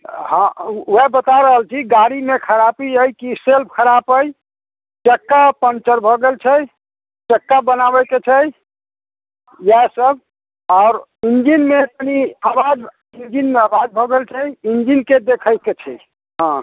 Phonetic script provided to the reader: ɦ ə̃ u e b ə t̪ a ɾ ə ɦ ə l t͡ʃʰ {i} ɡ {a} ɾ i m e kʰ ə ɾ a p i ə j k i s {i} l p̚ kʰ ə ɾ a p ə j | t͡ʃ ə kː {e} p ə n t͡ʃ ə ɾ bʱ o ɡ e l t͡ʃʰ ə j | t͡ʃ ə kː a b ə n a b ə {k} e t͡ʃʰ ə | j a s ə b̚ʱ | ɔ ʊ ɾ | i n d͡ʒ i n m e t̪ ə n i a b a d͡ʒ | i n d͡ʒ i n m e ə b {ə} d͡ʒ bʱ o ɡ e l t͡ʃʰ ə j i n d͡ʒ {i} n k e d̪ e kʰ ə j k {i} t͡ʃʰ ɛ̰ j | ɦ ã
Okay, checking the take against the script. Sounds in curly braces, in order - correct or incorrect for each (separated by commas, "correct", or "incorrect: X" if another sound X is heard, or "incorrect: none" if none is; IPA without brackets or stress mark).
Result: correct, correct, incorrect: e, incorrect: a, correct, incorrect: a, correct, incorrect: e